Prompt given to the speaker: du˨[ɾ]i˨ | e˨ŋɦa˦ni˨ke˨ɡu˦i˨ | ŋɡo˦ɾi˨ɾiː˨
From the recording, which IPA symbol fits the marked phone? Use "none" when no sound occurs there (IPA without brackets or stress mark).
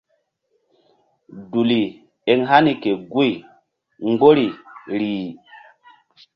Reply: l